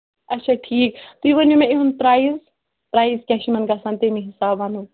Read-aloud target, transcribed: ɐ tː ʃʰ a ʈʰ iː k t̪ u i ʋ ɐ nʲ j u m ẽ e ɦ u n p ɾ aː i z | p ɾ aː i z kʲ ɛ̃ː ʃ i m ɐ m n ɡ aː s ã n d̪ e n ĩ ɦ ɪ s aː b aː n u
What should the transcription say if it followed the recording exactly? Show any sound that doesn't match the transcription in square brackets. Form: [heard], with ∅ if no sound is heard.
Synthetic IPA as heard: ɐ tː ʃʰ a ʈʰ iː k t̪ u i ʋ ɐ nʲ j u m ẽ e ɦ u n p ɾ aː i z | p ɾ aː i z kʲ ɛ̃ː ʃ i m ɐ [∅] n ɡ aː s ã n [t̪] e [m] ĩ ɦ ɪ s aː b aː n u

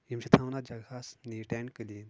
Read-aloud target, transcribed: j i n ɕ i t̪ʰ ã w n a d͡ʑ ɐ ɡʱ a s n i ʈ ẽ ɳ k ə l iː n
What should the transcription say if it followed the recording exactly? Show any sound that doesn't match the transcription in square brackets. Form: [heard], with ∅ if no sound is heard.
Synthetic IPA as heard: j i [m] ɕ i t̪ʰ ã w n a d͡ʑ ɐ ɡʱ a s n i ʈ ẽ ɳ k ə l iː n

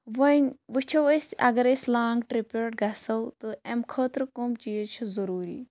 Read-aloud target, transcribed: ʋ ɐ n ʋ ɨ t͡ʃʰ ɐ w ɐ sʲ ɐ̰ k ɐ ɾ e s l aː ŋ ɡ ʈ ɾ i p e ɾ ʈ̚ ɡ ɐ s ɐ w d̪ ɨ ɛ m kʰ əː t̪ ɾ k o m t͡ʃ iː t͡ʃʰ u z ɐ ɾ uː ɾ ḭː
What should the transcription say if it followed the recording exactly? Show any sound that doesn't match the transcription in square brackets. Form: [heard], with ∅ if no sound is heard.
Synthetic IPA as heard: ʋ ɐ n ʋ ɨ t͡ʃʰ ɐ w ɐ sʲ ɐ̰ [ɡ] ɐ ɾ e s l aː ŋ ɡ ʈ ɾ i p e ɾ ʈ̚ ɡ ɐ s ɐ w [t̪] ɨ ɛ m kʰ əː t̪ ɾ k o m t͡ʃ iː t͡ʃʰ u z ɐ ɾ uː ɾ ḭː

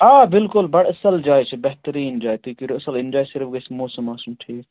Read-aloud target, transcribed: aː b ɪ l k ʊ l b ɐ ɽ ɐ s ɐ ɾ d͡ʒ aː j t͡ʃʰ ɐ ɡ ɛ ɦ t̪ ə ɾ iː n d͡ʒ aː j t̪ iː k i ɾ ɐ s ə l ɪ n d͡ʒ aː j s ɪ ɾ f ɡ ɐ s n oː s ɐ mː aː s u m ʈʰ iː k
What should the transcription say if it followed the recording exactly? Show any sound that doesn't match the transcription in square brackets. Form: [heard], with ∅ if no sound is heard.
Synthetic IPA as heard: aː b ɪ l k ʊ l b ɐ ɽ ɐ s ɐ [l] d͡ʒ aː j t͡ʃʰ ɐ [b] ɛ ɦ t̪ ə ɾ iː n d͡ʒ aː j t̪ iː k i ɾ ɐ s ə l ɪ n d͡ʒ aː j s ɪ ɾ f ɡ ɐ s [m] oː s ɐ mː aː s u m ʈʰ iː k

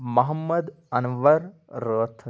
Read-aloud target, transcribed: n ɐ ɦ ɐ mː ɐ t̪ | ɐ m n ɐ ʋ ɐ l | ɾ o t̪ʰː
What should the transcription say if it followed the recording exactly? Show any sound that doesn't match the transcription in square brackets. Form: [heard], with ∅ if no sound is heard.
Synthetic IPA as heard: [m] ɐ ɦ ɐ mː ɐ [d̪] | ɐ [∅] n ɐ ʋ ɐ [ɾ] | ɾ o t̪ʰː

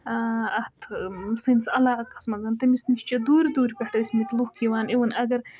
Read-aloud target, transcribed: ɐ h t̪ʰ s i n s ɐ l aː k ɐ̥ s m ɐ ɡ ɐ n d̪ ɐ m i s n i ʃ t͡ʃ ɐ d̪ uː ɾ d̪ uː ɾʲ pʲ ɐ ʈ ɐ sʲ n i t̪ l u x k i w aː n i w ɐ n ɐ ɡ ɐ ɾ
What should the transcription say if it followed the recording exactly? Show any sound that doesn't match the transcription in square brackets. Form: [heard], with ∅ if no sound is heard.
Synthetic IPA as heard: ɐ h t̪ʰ s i n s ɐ l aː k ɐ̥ s m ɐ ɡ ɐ n [t̪] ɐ m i s n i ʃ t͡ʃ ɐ d̪ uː ɾ d̪ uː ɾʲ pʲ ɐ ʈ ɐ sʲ [m] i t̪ l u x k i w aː n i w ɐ n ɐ ɡ ɐ ɾ

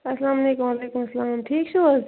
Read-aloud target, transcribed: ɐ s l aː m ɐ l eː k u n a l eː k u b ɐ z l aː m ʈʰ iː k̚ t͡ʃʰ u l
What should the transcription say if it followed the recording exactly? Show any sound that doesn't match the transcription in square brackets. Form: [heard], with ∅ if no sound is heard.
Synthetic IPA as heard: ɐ s l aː m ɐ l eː k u [m] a l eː k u [m] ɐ [s] l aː m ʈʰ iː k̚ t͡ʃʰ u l

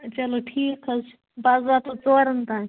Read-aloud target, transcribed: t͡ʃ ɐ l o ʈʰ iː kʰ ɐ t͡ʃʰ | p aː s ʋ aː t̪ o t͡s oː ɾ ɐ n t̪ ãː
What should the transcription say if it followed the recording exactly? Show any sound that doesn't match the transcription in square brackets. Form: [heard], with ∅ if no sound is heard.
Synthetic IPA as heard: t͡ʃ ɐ l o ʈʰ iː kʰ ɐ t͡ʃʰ | [b] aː [z] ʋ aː t̪ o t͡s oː ɾ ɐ n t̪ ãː

